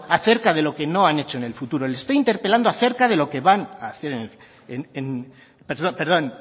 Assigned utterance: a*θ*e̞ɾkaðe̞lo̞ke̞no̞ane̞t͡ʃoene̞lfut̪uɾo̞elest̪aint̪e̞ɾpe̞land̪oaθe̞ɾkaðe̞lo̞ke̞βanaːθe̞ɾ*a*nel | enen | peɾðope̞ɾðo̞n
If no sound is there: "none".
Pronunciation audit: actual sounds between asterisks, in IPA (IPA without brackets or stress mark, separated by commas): θ, e